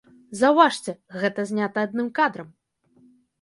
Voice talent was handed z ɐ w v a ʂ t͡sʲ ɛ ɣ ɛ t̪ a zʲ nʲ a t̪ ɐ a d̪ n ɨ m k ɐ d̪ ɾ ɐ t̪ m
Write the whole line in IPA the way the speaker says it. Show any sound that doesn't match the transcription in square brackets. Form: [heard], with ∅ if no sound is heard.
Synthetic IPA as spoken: z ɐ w v a ʂ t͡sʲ ɛ ɣ ɛ t̪ [ɐ] zʲ nʲ a t̪ ɐ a d̪ n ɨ m k [a] d̪ ɾ ɐ [∅] m